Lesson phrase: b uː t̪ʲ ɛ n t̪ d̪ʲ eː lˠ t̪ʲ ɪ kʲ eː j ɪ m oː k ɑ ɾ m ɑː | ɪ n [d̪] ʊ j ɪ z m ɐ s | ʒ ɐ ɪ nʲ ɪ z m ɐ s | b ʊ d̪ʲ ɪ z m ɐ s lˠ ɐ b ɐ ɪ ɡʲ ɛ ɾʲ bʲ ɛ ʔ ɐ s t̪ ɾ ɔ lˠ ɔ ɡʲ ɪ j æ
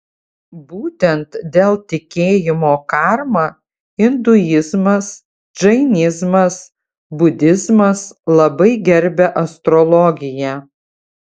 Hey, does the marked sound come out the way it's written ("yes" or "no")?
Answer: yes